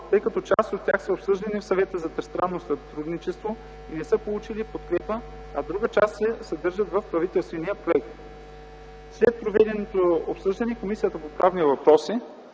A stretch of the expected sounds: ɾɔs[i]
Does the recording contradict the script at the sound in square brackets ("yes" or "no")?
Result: no